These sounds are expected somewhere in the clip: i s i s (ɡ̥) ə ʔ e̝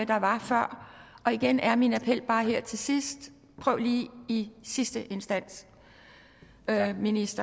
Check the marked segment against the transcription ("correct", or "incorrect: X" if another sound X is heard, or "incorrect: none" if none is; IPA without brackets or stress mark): incorrect: d̥